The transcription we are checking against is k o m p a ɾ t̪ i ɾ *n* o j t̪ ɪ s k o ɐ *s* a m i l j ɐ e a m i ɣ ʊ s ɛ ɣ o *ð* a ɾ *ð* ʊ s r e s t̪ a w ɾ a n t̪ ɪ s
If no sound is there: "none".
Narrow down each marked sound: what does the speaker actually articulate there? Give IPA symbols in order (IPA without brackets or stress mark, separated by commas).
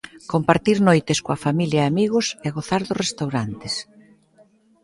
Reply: n, f, θ, ð